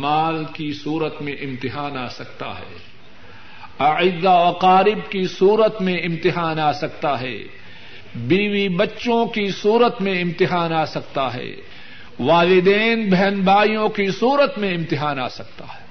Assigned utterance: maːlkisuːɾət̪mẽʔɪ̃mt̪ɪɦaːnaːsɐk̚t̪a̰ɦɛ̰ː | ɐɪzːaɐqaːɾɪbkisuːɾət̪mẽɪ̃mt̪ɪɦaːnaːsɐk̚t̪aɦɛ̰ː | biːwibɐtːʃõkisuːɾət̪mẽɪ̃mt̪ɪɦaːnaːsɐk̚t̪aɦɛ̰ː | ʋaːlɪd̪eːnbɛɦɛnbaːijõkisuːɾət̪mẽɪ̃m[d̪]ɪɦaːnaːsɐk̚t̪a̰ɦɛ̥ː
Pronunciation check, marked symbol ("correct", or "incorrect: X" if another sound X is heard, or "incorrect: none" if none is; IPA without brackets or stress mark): incorrect: t̪